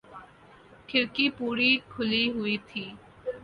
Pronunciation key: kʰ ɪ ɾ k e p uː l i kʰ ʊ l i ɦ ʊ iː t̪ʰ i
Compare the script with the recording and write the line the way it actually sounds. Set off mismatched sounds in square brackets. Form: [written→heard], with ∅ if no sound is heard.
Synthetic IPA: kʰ ɪ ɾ k [e→i] p uː [l→ɾ] i kʰ ʊ l i ɦ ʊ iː t̪ʰ [i→iː]